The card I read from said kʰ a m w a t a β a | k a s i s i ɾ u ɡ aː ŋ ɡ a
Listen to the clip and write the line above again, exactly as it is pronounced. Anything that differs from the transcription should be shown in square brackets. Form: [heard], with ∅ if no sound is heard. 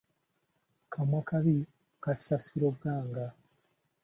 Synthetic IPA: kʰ a m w a [k] a β [i] | k a s [a] s i ɾ [o] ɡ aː ŋ ɡ a